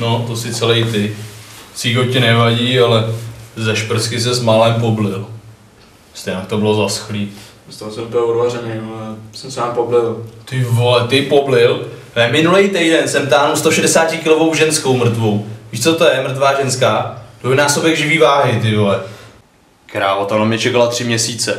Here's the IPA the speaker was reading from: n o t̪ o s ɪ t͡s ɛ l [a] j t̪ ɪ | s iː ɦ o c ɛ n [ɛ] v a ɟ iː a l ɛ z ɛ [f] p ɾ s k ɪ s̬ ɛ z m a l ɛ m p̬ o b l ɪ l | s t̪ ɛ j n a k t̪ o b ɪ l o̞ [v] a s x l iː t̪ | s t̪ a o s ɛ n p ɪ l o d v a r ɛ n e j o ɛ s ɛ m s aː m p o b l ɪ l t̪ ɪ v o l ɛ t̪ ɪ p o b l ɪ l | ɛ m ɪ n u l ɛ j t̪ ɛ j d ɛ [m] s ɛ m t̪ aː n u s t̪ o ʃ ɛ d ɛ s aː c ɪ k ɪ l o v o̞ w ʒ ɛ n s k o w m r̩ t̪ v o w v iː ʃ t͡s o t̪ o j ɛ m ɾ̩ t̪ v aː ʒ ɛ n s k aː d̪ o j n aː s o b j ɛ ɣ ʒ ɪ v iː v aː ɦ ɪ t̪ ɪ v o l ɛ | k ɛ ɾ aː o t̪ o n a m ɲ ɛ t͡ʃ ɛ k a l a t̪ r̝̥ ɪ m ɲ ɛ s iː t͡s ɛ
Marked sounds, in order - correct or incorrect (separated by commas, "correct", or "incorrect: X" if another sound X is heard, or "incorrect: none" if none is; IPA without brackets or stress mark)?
incorrect: ɛ, correct, incorrect: ʃ, incorrect: z, incorrect: n